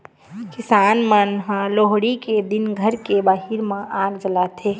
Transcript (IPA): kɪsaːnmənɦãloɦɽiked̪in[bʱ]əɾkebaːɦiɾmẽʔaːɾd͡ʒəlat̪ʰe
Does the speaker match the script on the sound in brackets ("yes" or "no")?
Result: no